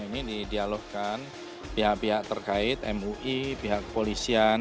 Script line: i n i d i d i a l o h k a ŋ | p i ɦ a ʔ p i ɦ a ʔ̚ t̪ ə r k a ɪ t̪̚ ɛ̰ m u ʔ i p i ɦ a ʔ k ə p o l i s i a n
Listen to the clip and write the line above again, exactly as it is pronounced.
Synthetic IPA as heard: i n i d i d i a l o h k a n | p i ɦ a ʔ p i ɦ a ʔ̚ t̪ ə r k a ɪ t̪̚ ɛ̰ m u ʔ i p i ɦ a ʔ k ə p o l i s i a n